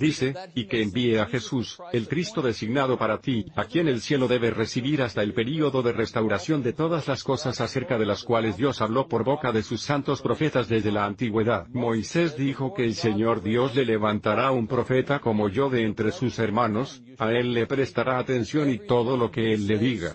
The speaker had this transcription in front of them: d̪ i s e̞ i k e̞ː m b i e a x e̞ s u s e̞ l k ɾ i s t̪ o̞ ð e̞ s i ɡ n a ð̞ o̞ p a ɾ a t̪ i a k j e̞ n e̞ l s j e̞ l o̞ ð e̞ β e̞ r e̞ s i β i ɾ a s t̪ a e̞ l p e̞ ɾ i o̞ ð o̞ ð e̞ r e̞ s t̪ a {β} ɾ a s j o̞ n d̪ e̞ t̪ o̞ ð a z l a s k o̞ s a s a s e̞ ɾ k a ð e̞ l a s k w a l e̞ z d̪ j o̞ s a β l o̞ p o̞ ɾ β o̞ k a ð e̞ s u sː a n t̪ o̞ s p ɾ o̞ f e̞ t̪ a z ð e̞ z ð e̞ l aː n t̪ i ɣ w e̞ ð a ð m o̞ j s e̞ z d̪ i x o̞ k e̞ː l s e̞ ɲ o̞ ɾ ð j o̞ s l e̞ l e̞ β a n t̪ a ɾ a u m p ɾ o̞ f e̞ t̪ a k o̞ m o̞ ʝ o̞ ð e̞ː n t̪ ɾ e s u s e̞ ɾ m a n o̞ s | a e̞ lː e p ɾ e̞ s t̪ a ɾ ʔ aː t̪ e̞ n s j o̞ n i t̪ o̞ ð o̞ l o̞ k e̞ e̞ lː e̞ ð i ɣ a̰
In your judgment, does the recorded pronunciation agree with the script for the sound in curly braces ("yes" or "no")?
no